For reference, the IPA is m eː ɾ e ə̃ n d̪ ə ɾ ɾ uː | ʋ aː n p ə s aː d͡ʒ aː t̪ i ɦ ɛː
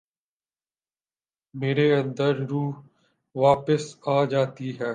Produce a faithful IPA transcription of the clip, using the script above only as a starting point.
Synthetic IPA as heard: m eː ɾ e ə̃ n d̪ ə ɾ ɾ uː | ʋ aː p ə s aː d͡ʒ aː t̪ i ɦ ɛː